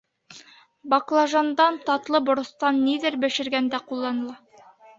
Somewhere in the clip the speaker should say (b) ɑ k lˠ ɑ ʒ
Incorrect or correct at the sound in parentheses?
correct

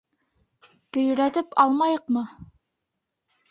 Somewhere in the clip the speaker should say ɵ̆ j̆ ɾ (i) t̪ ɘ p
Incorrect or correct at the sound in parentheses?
incorrect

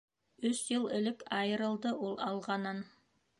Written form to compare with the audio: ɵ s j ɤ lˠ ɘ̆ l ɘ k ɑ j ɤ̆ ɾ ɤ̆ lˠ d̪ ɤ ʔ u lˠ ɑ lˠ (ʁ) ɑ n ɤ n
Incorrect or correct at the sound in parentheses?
correct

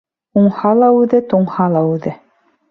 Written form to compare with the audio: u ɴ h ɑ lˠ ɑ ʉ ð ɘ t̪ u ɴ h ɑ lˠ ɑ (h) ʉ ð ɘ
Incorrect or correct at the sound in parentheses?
incorrect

